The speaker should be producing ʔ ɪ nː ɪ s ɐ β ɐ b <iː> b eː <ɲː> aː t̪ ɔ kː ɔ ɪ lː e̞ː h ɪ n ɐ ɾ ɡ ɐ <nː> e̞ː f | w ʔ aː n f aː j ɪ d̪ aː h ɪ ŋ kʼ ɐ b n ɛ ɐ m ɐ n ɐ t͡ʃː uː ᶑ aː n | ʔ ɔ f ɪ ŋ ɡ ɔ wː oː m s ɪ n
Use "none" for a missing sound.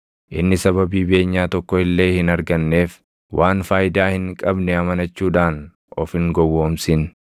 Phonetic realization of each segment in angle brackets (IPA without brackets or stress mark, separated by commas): iː, ɲː, nː